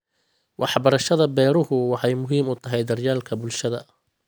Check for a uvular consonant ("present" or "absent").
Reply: absent